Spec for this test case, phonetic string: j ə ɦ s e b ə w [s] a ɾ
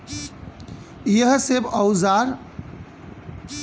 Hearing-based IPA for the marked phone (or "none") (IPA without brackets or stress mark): z